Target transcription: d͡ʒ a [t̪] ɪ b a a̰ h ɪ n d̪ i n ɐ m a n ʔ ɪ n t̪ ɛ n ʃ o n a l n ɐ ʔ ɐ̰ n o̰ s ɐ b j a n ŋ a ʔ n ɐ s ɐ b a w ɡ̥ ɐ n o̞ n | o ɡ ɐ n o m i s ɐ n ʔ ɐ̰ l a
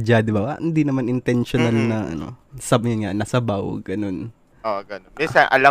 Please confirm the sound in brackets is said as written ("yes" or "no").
no